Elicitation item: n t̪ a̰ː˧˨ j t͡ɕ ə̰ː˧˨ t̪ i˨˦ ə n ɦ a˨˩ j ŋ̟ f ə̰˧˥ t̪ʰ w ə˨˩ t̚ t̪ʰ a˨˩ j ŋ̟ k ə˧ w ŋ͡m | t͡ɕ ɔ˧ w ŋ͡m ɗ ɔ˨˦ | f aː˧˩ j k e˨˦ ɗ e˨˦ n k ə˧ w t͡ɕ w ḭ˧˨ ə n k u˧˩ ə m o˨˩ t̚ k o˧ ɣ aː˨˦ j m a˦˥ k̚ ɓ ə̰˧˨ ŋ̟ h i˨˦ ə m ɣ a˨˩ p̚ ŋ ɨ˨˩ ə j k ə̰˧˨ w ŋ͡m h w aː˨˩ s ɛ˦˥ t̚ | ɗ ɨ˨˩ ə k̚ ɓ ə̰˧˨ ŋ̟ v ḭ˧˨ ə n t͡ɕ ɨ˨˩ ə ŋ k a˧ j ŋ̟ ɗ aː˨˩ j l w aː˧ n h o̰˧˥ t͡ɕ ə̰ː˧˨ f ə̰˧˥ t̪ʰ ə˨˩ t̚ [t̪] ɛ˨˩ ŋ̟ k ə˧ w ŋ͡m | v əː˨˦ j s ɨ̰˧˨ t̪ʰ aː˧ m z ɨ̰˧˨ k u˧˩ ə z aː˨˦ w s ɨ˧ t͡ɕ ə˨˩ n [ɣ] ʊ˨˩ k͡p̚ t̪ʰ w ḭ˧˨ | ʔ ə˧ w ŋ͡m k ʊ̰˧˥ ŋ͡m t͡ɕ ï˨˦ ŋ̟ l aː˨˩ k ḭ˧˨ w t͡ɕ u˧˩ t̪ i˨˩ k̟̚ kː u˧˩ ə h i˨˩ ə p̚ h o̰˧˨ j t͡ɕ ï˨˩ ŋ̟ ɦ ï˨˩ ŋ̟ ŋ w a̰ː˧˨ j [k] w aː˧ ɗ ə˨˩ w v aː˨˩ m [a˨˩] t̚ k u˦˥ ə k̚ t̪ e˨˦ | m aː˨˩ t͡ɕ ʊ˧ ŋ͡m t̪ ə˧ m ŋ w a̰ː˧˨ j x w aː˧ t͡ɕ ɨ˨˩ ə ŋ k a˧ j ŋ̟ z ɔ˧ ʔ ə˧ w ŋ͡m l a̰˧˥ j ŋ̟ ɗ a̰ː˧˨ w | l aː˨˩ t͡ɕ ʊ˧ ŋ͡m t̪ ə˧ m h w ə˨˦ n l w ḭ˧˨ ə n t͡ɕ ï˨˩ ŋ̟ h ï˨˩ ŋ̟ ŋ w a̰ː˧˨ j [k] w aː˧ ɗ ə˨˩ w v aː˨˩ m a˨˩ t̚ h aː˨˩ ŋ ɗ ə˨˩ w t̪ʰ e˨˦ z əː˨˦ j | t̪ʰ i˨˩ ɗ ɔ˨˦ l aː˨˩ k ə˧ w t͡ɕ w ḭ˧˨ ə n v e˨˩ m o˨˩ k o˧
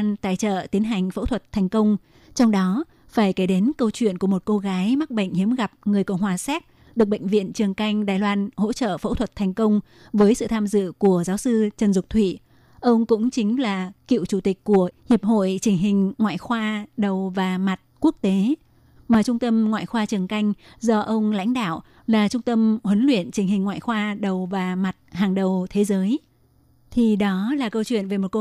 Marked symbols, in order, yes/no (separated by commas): no, no, no, yes, no